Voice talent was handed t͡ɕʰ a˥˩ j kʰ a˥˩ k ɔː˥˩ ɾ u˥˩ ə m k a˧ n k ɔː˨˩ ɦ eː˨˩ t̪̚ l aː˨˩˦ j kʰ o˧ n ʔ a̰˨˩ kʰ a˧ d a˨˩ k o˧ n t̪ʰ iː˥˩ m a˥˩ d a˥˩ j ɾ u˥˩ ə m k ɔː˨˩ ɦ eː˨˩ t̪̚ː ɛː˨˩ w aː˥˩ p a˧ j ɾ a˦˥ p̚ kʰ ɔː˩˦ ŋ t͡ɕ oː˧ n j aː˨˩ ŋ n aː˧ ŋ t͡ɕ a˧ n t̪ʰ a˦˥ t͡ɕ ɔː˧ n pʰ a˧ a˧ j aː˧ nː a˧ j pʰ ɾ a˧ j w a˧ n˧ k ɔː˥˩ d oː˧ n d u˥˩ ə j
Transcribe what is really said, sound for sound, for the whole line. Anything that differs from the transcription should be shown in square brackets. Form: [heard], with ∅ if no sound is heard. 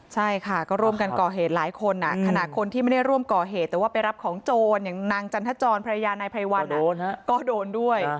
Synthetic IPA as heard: t͡ɕʰ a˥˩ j kʰ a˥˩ k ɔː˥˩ ɾ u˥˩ ə m k a˧ n k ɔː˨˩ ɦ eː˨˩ t̪̚ l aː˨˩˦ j kʰ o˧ n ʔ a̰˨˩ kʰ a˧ [n] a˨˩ [kʰ] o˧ n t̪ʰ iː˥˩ m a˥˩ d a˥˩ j ɾ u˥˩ ə m k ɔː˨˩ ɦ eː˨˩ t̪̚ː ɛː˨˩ w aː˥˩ p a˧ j ɾ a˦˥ p̚ kʰ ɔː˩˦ ŋ t͡ɕ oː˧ n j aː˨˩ ŋ n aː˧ ŋ t͡ɕ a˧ n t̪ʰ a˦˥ t͡ɕ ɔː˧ n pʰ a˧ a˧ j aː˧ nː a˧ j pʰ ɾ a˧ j w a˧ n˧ k ɔː˥˩ d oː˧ n d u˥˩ ə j